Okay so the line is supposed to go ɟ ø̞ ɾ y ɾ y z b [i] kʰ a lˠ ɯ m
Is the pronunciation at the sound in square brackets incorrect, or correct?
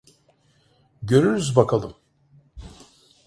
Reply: incorrect